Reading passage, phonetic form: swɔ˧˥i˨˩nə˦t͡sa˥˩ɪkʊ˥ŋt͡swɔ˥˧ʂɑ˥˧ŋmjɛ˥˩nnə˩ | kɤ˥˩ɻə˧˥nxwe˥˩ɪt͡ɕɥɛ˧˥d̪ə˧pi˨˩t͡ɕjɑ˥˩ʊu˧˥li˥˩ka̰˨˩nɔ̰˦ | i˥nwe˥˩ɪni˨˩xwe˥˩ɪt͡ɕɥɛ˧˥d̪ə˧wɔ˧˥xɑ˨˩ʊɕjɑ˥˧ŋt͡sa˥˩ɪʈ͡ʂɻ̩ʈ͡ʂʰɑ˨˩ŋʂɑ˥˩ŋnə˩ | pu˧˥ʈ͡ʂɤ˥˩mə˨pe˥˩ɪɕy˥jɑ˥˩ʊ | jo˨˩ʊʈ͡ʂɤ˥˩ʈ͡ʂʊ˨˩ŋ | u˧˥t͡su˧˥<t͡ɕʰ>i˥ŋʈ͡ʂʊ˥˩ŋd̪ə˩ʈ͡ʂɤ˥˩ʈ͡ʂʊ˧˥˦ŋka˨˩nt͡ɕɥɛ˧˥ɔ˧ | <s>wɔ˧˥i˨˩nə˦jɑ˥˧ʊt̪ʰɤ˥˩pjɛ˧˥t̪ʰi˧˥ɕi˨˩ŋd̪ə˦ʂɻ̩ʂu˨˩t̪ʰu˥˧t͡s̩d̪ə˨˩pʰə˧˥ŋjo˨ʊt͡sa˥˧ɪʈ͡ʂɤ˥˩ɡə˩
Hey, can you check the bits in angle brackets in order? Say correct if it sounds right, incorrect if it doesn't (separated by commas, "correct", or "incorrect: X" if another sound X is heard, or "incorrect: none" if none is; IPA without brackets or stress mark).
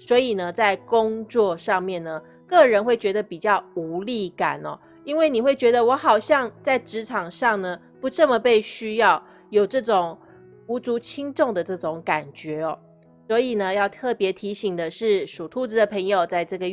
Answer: correct, correct